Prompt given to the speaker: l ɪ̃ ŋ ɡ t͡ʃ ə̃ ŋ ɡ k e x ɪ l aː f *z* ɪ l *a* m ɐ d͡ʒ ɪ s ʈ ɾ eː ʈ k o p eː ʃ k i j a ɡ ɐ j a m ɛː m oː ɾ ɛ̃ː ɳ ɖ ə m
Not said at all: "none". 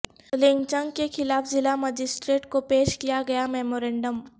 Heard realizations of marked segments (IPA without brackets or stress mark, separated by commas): z, a